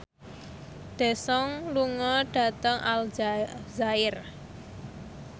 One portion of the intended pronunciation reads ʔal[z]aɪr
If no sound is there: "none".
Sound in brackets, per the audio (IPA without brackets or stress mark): z